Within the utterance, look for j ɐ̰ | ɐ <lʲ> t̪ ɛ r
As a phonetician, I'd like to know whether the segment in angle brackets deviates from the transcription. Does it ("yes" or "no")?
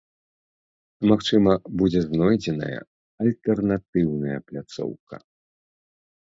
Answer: no